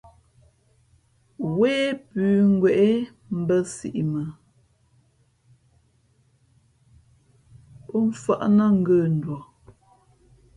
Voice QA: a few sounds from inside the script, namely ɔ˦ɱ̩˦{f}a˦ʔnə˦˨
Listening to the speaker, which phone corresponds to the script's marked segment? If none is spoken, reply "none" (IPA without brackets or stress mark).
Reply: f